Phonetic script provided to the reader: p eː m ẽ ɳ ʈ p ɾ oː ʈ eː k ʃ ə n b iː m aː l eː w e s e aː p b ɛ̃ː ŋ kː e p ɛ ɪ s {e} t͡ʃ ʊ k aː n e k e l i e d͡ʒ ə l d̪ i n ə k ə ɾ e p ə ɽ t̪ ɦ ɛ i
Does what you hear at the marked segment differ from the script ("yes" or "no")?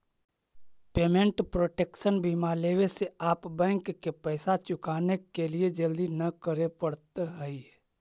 yes